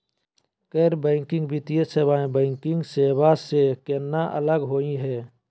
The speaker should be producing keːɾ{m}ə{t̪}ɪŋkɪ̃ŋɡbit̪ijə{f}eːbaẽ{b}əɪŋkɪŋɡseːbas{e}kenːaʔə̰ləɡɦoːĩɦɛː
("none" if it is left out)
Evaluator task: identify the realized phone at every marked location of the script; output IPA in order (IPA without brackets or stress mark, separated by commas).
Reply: b, none, s, b, e